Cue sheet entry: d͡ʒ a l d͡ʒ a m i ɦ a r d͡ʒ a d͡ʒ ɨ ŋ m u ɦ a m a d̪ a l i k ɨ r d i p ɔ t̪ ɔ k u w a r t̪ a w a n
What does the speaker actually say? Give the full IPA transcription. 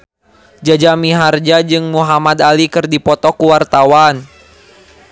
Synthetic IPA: d͡ʒ a d͡ʒ a m i ɦ a r d͡ʒ a d͡ʒ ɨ ŋ m u ɦ a m a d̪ a l i k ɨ r d i p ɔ t̪ ɔ k u w a r t̪ a w a n